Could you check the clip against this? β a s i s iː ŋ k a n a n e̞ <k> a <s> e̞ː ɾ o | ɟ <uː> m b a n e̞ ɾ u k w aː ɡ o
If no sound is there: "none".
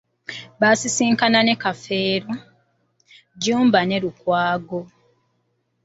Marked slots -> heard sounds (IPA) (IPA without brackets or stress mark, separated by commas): k, f, uː